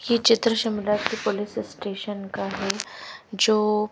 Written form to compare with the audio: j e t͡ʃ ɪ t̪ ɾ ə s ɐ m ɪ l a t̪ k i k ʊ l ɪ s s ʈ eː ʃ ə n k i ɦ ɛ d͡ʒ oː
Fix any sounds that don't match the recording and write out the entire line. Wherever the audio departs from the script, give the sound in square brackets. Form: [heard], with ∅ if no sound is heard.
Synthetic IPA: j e t͡ʃ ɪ t̪ ɾ ə [ʃ] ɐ m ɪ l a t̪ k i [p] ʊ l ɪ s s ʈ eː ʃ ə n k [a] ɦ ɛ d͡ʒ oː